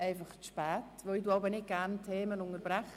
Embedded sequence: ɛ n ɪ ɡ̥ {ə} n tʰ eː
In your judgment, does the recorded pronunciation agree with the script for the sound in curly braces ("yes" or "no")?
no